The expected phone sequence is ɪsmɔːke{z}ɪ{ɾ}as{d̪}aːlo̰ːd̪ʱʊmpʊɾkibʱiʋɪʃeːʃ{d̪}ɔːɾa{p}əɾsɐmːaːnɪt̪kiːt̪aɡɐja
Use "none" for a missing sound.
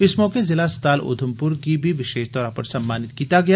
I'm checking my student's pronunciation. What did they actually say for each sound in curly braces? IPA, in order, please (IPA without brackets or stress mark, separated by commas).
z, l, t̪, t̪, p